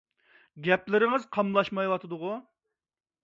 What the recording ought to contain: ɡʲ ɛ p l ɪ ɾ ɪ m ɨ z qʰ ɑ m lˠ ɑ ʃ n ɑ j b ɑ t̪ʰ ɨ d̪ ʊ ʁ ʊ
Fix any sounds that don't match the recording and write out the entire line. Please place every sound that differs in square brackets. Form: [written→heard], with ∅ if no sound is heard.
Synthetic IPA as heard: ɡʲ ɛ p l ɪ ɾ ɪ [m→ŋ] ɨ z qʰ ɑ m lˠ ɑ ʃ [n→m] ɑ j [b→w] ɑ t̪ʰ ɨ d̪ ʊ ʁ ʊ